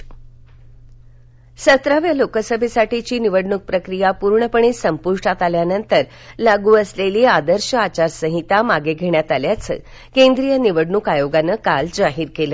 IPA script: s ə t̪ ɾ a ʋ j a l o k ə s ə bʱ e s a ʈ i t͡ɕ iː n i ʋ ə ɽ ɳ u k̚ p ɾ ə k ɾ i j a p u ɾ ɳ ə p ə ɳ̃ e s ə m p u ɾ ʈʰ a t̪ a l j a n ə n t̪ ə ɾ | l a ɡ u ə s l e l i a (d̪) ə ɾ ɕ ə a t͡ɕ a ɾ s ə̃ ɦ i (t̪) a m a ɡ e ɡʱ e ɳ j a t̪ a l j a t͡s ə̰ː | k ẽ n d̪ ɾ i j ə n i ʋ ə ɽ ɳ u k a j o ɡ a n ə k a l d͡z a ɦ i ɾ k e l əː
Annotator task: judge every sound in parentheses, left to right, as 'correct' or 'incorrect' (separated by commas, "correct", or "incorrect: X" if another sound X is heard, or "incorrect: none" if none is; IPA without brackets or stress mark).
correct, correct